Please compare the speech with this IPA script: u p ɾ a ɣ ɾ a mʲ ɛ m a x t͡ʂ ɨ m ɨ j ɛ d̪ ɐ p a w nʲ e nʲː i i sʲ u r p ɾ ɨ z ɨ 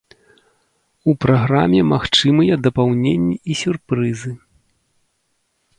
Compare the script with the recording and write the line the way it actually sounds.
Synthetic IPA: u p ɾ a ɣ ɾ a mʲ ɛ m a x t͡ʂ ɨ m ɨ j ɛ d̪ ɐ p a w nʲ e nʲː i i sʲ u r p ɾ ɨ z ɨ